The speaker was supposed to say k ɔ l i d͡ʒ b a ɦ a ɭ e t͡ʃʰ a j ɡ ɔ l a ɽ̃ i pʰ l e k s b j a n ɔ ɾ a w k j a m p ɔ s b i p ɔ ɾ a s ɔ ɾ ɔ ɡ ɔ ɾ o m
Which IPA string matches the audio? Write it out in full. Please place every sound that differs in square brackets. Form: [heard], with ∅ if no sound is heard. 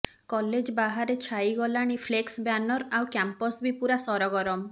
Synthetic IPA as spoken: k ɔ l [e] d͡ʒ b a ɦ a [ɾ] e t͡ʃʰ a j ɡ ɔ l a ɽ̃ i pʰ l e k s b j a n ɔ ɾ a w k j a m p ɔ s b i p [u] ɾ a s ɔ ɾ ɔ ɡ ɔ ɾ [ɔ] m